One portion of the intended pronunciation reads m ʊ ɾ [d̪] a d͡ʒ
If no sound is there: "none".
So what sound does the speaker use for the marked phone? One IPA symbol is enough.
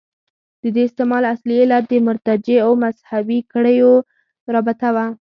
t̪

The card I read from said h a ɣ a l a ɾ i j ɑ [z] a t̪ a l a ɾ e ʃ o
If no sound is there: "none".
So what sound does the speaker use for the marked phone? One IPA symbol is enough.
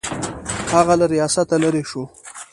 s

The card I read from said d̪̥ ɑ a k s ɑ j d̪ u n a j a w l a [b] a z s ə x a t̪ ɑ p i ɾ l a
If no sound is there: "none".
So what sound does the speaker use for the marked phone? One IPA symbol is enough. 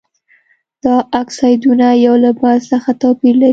b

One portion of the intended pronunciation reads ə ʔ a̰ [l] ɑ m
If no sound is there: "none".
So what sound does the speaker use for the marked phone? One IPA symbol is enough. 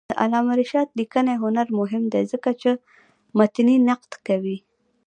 l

